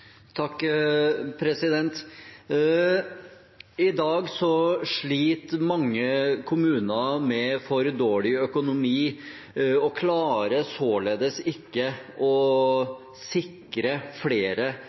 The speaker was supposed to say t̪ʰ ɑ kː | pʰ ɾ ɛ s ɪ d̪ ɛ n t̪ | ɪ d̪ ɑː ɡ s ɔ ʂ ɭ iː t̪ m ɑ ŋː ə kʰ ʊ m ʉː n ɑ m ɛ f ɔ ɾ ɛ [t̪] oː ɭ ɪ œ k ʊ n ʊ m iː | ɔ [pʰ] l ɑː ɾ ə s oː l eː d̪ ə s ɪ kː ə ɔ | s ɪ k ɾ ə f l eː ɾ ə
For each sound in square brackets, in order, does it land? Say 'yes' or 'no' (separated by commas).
no, no